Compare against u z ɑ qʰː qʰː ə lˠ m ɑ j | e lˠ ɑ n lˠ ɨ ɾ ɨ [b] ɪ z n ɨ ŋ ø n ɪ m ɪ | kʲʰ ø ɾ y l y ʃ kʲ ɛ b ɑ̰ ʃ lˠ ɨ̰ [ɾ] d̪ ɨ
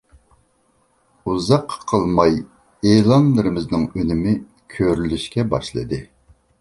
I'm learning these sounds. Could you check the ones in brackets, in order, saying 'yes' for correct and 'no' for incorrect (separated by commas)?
no, no